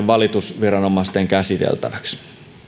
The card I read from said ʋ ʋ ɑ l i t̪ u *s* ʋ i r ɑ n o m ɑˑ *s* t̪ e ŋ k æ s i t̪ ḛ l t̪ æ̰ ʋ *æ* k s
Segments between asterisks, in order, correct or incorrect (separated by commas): correct, correct, correct